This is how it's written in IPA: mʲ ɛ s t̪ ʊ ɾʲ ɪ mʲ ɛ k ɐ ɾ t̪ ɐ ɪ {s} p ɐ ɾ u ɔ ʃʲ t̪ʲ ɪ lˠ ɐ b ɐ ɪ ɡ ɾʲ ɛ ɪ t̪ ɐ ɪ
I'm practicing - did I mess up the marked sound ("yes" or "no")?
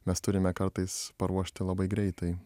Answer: no